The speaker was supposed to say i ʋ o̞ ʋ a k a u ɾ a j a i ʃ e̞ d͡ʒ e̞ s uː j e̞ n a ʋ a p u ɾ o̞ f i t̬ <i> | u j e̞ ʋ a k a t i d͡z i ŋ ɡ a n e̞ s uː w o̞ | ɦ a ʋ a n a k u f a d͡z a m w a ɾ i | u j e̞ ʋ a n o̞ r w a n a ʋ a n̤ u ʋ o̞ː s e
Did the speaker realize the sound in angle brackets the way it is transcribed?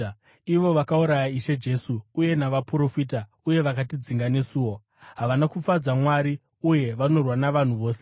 no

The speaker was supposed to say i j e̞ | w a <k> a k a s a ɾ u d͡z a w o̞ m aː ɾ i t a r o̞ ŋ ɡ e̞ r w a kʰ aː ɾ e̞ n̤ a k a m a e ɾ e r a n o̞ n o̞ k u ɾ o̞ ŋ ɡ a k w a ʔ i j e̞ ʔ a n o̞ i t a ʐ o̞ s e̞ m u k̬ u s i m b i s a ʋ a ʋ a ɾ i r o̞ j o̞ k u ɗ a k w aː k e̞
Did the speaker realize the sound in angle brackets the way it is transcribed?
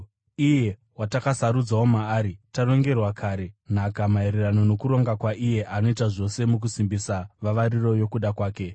no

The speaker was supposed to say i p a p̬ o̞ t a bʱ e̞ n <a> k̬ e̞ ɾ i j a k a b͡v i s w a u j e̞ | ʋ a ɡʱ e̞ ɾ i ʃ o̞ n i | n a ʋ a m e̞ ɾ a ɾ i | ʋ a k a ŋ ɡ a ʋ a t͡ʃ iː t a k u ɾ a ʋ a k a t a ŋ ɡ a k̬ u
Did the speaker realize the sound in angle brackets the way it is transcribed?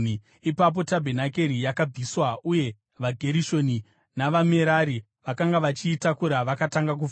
yes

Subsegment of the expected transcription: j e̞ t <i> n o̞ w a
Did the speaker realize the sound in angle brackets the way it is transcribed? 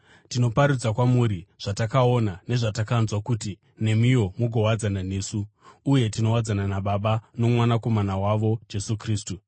yes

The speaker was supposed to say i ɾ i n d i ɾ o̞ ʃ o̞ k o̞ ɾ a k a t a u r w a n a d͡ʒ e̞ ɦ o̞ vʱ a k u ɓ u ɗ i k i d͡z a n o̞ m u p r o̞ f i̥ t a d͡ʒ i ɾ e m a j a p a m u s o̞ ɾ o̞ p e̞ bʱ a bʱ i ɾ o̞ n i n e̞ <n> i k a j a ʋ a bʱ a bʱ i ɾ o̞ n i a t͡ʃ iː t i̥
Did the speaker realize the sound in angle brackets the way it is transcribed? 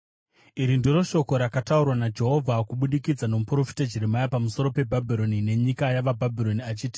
no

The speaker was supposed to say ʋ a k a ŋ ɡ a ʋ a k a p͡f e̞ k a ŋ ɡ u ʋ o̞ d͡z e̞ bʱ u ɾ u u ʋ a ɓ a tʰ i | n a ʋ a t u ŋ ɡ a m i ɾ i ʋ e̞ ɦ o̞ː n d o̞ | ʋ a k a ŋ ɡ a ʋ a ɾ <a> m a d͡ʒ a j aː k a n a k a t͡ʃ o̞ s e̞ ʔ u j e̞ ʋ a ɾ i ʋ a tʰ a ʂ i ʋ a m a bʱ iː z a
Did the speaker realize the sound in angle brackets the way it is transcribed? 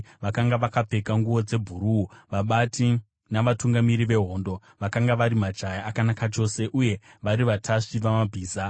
no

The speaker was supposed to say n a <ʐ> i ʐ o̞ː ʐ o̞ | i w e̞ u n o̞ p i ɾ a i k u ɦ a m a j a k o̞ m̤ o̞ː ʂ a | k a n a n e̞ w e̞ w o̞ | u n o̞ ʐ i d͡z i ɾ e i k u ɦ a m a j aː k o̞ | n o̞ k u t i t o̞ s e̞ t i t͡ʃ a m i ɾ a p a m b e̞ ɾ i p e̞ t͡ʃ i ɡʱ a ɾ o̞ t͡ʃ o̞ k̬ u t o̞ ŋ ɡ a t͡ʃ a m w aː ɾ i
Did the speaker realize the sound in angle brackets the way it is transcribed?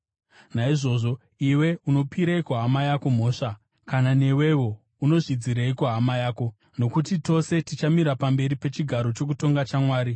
no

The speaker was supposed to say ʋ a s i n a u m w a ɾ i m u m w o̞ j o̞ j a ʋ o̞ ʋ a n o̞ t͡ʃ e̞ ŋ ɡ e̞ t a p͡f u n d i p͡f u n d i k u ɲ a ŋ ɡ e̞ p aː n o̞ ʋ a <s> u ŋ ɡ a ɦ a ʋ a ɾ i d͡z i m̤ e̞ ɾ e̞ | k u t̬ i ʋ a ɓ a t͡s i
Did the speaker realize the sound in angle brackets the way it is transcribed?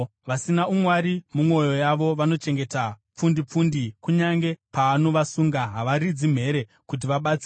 yes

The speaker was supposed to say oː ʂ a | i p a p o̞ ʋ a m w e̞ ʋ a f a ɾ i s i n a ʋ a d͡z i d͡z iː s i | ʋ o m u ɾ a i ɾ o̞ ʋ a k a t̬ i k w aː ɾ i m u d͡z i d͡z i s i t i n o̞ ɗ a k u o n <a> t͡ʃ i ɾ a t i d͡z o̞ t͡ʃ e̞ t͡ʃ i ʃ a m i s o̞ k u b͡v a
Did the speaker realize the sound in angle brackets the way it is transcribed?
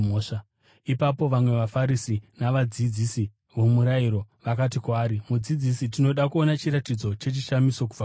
yes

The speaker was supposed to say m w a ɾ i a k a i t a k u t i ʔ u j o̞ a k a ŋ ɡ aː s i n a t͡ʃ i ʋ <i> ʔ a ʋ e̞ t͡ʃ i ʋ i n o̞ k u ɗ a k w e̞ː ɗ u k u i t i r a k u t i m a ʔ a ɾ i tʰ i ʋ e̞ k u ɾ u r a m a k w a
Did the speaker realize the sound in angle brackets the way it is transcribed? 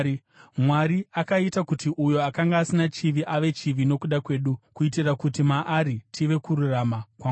yes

